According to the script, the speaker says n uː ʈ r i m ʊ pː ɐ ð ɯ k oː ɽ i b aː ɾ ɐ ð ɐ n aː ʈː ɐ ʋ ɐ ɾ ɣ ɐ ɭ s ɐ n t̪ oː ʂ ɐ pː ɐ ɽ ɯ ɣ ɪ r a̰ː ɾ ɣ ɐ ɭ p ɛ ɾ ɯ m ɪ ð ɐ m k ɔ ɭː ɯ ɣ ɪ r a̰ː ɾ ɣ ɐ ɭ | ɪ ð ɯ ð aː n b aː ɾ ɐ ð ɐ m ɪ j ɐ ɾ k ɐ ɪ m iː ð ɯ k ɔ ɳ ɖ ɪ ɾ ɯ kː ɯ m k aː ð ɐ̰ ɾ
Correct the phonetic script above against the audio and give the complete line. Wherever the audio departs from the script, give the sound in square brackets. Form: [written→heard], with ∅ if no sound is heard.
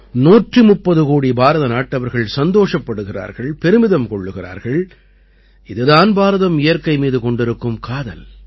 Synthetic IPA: n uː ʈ r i m ʊ pː ɐ ð ɯ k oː ɽ i b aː ɾ ɐ ð ɐ n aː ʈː ɐ ʋ ɐ ɾ ɣ ɐ ɭ s ɐ n [t̪→d̪] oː ʂ ɐ pː ɐ ɽ ɯ ɣ ɪ r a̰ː ɾ ɣ ɐ ɭ p ɛ ɾ ɯ m ɪ ð ɐ m k ɔ ɭː ɯ ɣ ɪ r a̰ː ɾ ɣ ɐ ɭ | ɪ ð ɯ ð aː n b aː ɾ ɐ ð ɐ m ɪ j ɐ ɾ k ɐ ɪ m iː ð ɯ k ɔ ɳ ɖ ɪ ɾ ɯ kː ɯ m k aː ð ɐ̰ [ɾ→l]